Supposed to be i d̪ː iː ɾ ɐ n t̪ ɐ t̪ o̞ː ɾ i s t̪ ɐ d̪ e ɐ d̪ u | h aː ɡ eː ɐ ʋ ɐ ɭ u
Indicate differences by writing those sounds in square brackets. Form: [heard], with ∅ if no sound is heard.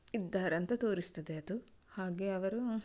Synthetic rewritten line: i d̪ː [aː] ɾ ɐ n t̪ ɐ t̪ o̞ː ɾ i s t̪ ɐ d̪ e ɐ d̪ u | h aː ɡ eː ɐ ʋ ɐ [ɾ] u